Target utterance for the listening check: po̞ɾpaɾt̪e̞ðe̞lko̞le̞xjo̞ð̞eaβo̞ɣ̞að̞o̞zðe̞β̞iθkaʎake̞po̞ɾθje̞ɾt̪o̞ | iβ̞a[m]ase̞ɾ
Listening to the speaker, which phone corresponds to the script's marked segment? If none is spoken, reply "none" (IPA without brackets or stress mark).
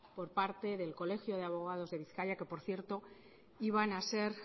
n